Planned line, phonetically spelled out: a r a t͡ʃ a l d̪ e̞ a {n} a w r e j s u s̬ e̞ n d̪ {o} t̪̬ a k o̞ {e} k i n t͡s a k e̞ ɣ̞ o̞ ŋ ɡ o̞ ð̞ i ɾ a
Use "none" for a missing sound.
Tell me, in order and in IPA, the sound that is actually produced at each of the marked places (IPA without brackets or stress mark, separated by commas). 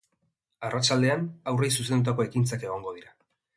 n, u, e